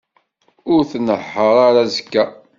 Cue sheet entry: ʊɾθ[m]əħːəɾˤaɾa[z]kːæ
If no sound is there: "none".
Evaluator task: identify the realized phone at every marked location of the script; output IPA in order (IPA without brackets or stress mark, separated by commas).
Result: n, z